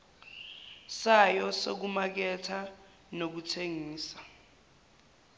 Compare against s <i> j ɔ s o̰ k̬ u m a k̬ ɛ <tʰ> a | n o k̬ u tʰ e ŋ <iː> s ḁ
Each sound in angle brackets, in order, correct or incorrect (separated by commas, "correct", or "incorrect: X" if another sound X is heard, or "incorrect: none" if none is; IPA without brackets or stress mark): incorrect: a, correct, correct